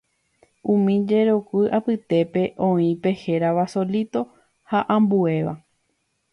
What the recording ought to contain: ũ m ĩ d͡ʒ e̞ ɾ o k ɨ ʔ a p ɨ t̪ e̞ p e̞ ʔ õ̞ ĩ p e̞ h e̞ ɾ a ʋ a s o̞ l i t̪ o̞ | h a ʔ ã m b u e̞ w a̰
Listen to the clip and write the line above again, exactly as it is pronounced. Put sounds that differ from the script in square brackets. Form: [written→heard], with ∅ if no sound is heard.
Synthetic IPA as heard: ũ m ĩ d͡ʒ e̞ ɾ o k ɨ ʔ a p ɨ t̪ e̞ p e̞ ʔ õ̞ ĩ p e̞ h e̞ ɾ a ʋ a s o̞ l i t̪ o̞ | h a ʔ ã m b u e̞ [w→ʋ] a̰